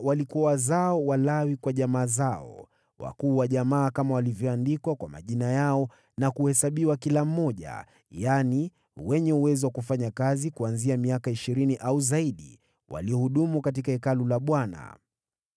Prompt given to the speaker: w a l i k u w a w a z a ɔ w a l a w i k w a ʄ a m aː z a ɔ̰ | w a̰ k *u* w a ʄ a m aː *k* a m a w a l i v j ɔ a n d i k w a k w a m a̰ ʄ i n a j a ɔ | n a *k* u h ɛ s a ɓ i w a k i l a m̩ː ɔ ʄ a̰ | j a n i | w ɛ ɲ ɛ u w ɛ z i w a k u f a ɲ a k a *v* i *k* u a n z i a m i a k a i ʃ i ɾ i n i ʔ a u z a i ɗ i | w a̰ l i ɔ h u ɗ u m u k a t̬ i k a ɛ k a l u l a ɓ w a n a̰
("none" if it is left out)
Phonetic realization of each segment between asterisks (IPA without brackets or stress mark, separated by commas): uː, k, k, z, k